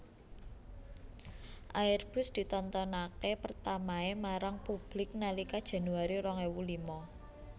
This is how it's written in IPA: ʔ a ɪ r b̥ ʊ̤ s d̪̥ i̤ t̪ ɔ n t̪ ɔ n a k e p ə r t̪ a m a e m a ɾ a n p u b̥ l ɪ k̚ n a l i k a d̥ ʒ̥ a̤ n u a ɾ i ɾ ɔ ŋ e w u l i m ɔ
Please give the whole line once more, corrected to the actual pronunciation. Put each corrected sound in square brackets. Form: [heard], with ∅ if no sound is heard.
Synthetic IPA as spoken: ʔ a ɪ r b̥ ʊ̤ s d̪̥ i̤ t̪ ɔ n t̪ ɔ n a k e p ə r t̪ a m a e m a ɾ a [ŋ] p u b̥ l ɪ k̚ n a l i k a d̥ ʒ̥ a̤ n u a ɾ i ɾ ɔ ŋ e w u l i m ɔ